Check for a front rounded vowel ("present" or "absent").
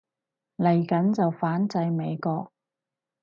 absent